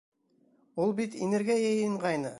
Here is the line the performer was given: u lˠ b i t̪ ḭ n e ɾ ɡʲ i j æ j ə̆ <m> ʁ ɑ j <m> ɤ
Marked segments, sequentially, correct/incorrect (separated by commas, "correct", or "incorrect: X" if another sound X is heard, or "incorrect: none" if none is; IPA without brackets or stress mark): incorrect: ɴ, incorrect: n